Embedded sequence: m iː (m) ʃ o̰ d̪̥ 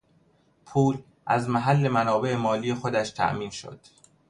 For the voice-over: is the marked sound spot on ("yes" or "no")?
no